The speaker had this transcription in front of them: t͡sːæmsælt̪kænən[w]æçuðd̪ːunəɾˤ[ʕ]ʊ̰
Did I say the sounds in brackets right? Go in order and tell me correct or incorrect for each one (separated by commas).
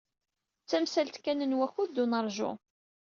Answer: correct, incorrect